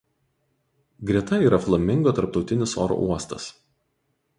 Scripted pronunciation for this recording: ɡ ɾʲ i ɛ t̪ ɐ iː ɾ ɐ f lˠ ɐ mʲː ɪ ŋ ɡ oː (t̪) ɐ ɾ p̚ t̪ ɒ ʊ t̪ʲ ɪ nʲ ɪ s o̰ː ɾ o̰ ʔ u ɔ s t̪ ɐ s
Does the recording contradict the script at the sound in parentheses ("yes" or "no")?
no